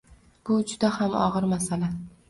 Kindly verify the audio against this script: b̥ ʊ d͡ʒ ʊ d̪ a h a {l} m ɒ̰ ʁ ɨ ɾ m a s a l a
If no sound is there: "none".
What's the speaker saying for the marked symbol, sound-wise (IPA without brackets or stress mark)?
none